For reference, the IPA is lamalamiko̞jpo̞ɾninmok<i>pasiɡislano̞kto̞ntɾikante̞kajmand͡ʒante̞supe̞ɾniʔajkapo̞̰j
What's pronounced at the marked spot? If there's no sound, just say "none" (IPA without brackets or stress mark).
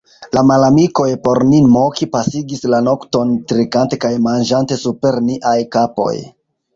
i